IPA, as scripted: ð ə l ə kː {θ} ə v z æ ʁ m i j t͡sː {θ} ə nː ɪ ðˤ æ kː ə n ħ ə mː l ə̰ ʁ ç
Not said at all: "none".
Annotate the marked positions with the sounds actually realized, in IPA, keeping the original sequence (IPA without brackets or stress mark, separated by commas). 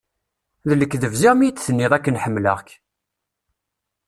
ð, θ